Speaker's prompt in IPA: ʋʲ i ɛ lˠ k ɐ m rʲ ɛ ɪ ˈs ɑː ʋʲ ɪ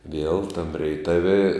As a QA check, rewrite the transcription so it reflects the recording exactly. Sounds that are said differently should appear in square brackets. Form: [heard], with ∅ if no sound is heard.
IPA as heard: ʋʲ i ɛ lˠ [t] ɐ m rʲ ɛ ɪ [ˈt] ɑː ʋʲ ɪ